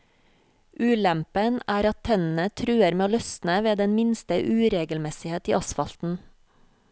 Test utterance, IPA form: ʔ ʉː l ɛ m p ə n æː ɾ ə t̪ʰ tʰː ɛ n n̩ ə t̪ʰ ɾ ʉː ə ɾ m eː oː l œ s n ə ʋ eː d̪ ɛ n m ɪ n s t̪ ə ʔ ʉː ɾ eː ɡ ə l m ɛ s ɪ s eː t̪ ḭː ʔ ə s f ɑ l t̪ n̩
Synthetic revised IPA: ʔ ʉː l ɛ m p ə n æː ɾ ɑ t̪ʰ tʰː ɛ n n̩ ə t̪ʰ ɾ ʉː ə ɾ m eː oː l œ s n ə ʋ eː d̪ ɛ n m ɪ n s t̪ ə ʔ ʉː ɾ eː ɡ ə l m ɛ s ɪ h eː t̪ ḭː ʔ ɑ s f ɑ l t̪ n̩